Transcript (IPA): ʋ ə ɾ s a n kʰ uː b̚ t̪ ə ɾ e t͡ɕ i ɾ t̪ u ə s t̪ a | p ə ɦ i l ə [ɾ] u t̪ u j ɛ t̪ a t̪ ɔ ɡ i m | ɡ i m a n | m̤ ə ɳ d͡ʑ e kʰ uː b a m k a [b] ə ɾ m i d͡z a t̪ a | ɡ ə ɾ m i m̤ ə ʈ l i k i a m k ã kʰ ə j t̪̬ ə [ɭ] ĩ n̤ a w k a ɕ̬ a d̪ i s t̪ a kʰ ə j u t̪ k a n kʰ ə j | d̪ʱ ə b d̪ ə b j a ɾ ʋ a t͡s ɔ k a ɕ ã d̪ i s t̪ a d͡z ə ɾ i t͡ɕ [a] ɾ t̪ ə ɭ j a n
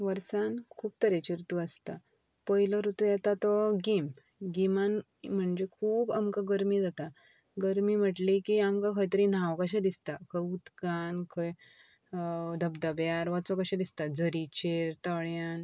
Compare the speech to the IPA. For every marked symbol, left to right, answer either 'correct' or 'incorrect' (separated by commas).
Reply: correct, incorrect, incorrect, incorrect